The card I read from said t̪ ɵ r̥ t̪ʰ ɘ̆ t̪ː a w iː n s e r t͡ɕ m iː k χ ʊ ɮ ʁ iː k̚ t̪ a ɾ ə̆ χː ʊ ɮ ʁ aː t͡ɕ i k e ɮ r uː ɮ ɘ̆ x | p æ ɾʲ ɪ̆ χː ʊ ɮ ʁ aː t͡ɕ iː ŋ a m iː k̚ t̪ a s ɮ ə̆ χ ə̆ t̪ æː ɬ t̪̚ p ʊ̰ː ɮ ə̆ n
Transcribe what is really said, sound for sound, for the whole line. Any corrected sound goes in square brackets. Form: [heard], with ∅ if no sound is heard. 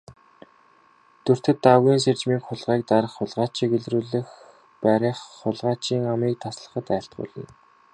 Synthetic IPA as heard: t̪ ɵ r̥ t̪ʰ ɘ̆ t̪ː a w iː n s e r t͡ɕ m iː k χ ʊ ɮ ʁ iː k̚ t̪ a ɾ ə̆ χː ʊ ɮ ʁ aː t͡ɕ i k e ɮ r uː ɮ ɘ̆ x | p æ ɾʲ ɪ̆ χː ʊ ɮ ʁ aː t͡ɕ iː ŋ a m iː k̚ [t̪ʰ] a s ɮ ə̆ χ ə̆ t̪ æː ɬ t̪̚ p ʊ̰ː ɮ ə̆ n